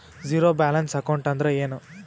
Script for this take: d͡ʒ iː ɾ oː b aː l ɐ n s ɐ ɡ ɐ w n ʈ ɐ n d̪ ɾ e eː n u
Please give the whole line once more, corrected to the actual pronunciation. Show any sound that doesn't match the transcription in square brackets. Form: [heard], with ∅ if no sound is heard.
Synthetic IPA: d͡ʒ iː ɾ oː b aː l ɐ n s ɐ [k] ɐ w [ɳ] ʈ ɐ n d̪ ɾ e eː n u